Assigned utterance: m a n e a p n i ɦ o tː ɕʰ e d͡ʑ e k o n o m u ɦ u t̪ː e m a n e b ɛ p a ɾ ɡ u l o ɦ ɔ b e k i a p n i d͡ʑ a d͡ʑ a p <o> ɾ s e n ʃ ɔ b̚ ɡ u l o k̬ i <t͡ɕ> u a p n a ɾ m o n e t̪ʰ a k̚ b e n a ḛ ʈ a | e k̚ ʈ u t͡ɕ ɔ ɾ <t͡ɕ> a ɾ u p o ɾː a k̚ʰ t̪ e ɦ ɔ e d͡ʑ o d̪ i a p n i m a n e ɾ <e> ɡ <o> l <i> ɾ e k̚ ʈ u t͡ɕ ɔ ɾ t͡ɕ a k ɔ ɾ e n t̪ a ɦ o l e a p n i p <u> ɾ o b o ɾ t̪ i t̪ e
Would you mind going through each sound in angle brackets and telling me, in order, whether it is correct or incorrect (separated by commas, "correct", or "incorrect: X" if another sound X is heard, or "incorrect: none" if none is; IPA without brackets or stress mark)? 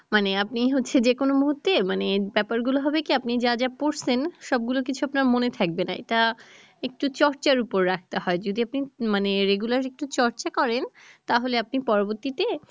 correct, incorrect: t͡ɕʰ, correct, correct, incorrect: u, incorrect: a, incorrect: ɔ